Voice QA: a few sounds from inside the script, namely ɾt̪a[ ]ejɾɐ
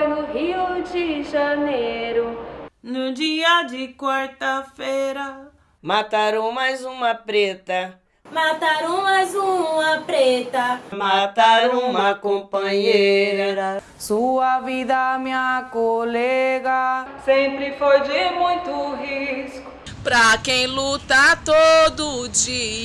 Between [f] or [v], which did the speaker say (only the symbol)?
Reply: f